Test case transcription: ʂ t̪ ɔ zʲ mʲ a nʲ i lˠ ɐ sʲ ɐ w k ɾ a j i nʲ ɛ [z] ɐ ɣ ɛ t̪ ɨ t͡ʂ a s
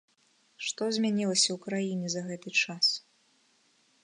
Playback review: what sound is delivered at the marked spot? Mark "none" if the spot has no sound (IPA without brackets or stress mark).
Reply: z